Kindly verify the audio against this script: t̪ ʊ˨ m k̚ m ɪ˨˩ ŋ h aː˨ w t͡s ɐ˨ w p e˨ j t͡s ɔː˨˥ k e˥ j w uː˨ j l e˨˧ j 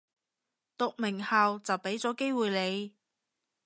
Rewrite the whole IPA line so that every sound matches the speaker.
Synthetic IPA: t̪ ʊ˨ k̚ m ɪ˨˩ ŋ h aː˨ w t͡s ɐ˨ w p e˨˥ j t͡s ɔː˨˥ k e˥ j w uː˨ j l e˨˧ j